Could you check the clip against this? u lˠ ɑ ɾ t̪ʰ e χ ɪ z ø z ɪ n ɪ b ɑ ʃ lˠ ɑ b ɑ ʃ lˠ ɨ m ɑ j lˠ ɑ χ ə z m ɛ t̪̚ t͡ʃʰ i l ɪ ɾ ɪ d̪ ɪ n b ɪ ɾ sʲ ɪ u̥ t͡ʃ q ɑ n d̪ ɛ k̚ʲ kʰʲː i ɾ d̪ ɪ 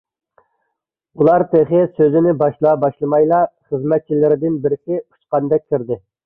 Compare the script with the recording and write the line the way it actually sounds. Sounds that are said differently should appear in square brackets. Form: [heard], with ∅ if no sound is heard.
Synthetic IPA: u lˠ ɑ ɾ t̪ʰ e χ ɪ [s] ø z ɪ n ɪ b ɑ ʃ lˠ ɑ b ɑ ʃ lˠ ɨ m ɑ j lˠ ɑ χ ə z m ɛ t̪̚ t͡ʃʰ i l ɪ ɾ ɪ d̪ ɪ n b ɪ ɾ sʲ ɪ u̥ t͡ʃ q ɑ n d̪ ɛ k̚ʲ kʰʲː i ɾ d̪ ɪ